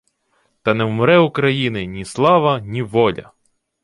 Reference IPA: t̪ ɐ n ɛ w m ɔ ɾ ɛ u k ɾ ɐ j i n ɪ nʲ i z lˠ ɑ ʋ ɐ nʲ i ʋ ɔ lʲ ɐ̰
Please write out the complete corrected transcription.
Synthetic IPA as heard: t̪ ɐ n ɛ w m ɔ ɾ ɛ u k ɾ ɐ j i n ɪ nʲ i s lˠ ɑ ʋ ɐ nʲ i ʋ ɔ lʲ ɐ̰

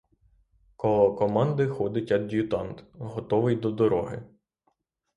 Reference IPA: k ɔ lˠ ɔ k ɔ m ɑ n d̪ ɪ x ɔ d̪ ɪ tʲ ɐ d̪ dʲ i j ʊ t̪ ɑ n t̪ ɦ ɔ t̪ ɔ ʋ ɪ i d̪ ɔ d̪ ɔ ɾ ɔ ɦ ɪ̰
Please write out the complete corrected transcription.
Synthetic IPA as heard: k ɔ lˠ ɔ k ɔ m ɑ n d̪ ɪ x ɔ d̪ ɪ tʲ ɐ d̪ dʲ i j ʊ t̪ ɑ n t̪ ɦ ɔ t̪ ɔ ʋ ɪ j d̪ ɔ d̪ ɔ ɾ ɔ ɦ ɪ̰

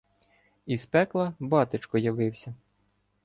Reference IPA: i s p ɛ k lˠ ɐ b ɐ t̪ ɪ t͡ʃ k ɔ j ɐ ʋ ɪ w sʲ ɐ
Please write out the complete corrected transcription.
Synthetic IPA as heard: i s p ɛ k lˠ ɐ b ɑ t̪ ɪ t͡ʃ k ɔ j ɐ ʋ ɪ w sʲ ɐ

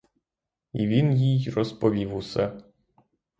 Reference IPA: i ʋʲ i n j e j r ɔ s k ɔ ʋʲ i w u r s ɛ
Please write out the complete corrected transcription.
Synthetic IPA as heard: i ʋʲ i n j i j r ɔ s p ɔ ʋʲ i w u s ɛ

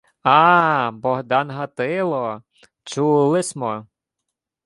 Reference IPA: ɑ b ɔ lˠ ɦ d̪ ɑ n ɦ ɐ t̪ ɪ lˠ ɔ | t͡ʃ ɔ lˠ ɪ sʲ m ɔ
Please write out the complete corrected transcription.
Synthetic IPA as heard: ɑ b ɔ ɦ d̪ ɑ n ɦ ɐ t̪ ɪ lˠ ɔ | t͡ʃ u lˠ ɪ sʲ m ɔ

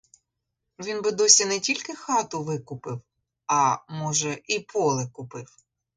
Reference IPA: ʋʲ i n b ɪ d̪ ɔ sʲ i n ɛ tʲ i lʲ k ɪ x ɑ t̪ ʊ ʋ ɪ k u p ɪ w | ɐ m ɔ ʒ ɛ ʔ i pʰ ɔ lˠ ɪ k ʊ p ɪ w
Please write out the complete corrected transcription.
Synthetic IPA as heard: ʋʲ i n b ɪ d̪ ɔ sʲ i n ɛ tʲ i lʲ k ɪ x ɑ t̪ ʊ ʋ ɪ k ʊ p ɪ w | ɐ m ɔ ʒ ɛ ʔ i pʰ ɔ lˠ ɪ k ʊ p ɪ w

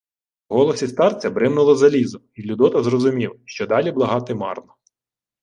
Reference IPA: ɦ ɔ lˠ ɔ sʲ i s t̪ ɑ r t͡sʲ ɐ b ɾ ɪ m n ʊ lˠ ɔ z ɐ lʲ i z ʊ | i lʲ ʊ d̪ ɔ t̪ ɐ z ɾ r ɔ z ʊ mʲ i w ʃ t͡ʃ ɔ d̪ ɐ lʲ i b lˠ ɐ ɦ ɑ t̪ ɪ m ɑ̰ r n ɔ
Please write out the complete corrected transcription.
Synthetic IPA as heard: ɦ ɔ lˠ ɔ sʲ i s t̪ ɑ r t͡sʲ ɐ b ɾ ɪ m n ʊ lˠ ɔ z ɐ lʲ i z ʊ | i lʲ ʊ d̪ ɔ t̪ ɐ z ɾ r ɔ z ʊ mʲ i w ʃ t͡ʃ ɔ d̪ ɑ lʲ i b lˠ ɐ ɦ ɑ t̪ ɪ m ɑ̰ r n ɔ

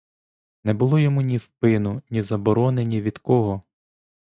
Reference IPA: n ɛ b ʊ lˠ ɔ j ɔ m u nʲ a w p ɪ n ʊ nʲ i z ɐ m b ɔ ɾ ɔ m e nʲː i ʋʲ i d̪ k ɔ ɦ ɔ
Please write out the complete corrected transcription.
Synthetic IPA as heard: n ɛ b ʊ lˠ ɔ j ɔ m u nʲ i w p ɪ n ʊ nʲ i z ɐ b ɔ ɾ ɔ n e nʲ i ʋʲ i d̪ k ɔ ɦ ɔ

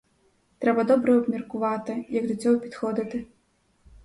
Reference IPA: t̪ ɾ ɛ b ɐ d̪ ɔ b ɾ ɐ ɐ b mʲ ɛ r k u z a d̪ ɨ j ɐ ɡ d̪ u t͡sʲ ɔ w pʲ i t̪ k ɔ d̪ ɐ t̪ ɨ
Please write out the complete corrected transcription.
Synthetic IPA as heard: t̪ ɾ ɛ b ɐ d̪ ɔ b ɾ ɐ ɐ b mʲ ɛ r k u v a t̪ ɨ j ɐ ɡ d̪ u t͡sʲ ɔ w pʲ i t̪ x ɔ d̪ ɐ t̪ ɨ

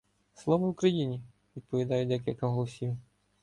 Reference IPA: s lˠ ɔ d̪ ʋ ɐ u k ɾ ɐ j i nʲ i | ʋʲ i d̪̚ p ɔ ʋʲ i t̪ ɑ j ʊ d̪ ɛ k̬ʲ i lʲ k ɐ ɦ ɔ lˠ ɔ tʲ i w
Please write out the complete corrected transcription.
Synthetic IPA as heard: s lˠ ɔ ʋ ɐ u k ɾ ɐ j i nʲ i | ʋʲ i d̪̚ p ɔ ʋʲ i d̪ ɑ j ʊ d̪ ɛ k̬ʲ i lʲ k ɐ ɦ ɔ lˠ ɔ sʲ i w

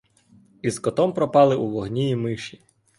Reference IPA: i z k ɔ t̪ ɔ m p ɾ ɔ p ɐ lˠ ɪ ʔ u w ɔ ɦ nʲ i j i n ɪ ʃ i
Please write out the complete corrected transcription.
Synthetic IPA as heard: i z k ɔ t̪ ɔ m p ɾ ɔ p ɑ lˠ ɪ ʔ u ʋ ɔ ɦ nʲ i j i m ɪ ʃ i

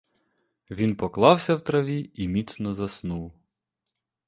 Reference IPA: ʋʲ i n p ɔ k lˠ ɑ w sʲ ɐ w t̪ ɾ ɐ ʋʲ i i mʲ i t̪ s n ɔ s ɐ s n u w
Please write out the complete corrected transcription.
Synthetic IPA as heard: ʋʲ i n p ɔ k lˠ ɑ w sʲ ɐ w t̪ ɾ ɐ ʋʲ i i mʲ i t̪ s n ɔ z ɐ s n u w

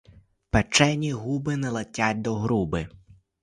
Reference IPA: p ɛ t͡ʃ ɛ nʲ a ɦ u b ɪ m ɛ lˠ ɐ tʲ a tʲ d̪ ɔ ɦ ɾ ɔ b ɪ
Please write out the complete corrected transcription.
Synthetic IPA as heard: p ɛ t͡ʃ ɛ nʲ i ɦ u b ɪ n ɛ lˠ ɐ tʲ a tʲ d̪ ɔ ɦ ɾ u b ɪ

